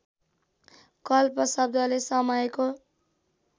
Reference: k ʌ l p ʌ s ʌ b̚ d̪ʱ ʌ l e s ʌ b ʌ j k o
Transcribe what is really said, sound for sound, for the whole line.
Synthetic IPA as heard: k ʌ l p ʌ s ʌ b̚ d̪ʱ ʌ l e s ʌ m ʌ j k o